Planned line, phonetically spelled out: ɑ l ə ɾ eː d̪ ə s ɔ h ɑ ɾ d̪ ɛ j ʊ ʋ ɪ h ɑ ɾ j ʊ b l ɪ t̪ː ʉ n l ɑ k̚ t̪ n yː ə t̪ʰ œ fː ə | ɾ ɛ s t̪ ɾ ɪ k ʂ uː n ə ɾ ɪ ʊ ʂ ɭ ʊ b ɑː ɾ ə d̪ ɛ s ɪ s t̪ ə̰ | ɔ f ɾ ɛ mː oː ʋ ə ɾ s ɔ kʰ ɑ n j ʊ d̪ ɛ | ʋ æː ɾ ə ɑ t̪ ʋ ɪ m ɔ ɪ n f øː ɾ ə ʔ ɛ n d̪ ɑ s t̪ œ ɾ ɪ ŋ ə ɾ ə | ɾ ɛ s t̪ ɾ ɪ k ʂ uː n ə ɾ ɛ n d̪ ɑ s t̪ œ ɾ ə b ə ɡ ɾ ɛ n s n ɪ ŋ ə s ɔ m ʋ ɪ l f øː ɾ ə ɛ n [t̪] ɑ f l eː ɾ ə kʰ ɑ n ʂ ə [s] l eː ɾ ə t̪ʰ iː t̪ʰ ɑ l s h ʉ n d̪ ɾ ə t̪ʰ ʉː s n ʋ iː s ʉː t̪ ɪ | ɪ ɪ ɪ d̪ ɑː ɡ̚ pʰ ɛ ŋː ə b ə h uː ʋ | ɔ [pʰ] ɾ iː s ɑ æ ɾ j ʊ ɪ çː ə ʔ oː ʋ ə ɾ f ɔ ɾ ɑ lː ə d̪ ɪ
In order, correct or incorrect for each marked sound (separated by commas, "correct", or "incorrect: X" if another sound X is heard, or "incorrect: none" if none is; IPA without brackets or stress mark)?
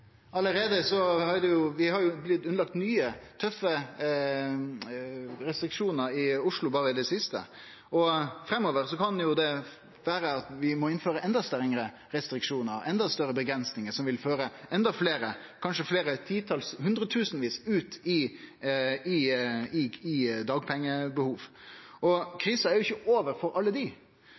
incorrect: d̪, incorrect: f, incorrect: kʰ